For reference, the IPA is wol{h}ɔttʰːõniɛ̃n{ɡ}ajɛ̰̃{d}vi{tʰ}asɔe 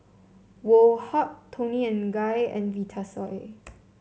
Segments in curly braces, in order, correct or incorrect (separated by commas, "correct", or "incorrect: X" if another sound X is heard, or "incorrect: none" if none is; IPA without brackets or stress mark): correct, correct, incorrect: n, correct